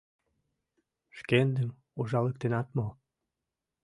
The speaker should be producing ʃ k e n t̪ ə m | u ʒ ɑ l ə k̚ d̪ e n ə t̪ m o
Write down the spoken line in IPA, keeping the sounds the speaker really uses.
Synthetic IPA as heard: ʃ k e n d̪ ə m | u ʒ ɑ l ə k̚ t̪ e n ɑ t̪ m o